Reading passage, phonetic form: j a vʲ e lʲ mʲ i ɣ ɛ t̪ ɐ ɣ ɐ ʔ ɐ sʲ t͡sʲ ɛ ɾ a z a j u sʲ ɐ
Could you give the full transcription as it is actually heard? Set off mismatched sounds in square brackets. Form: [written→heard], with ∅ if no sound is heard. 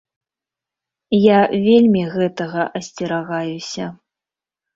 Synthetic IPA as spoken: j a vʲ e lʲ mʲ i ɣ ɛ t̪ ɐ ɣ ɐ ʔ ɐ sʲ t͡sʲ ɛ ɾ a [z→ɣ] a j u sʲ ɐ